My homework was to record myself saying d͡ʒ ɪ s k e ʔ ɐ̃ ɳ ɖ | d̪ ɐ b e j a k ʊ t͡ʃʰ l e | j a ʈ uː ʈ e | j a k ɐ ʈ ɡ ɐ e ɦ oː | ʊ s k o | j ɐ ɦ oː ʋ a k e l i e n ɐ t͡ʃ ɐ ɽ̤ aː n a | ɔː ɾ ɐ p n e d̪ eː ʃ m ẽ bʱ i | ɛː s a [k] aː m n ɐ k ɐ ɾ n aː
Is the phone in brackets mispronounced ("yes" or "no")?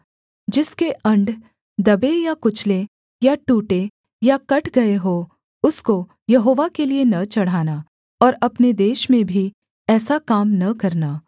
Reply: no